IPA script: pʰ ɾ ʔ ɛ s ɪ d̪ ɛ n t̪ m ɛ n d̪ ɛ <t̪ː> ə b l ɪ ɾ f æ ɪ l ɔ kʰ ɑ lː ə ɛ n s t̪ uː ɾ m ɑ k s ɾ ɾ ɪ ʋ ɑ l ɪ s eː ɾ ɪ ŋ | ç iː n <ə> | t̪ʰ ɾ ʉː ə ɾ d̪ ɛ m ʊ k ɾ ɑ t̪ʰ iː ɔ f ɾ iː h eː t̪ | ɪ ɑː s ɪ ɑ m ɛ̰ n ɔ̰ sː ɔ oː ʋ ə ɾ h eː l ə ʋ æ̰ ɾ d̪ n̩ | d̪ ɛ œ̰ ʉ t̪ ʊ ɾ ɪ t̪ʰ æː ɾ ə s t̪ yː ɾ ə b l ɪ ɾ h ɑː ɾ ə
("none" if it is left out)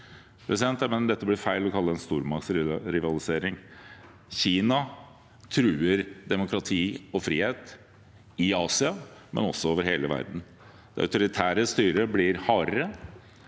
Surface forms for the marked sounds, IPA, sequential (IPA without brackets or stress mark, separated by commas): t̪ː, ɑ